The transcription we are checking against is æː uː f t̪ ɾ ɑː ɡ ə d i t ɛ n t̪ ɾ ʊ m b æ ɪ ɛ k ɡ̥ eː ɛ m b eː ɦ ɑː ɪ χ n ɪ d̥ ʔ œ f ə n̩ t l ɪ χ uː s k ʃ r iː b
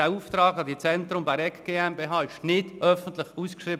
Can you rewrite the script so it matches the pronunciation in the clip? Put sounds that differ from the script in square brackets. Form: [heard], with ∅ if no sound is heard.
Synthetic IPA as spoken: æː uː f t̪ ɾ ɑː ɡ [ɑ] d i [t͡s] ɛ n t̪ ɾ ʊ m b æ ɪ ɛ k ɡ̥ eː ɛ m b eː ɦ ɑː ɪ [ʃ] n ɪ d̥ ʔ œ f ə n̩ t l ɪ χ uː s k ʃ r iː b